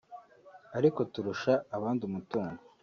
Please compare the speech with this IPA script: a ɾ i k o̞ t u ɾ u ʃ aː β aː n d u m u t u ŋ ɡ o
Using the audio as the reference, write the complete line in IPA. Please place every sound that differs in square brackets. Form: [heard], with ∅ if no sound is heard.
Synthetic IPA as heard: a ɾ i k o̞ t u ɾ u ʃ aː β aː n d u m u t [uː] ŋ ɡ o